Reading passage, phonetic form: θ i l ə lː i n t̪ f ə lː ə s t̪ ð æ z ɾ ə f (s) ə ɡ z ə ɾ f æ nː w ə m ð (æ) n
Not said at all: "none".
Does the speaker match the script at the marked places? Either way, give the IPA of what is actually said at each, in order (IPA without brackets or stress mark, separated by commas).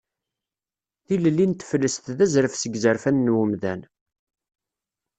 s, æ